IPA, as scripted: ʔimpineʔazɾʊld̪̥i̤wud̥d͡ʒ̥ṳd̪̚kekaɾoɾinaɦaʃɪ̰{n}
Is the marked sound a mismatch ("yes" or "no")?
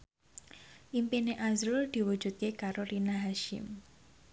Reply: yes